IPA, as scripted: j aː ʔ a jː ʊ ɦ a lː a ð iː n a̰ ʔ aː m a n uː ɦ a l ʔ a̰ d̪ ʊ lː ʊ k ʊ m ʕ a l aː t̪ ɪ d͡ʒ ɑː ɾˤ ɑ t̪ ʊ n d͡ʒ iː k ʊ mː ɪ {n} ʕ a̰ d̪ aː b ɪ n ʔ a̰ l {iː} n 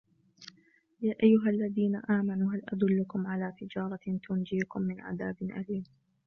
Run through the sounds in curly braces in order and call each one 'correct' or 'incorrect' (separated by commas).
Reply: correct, correct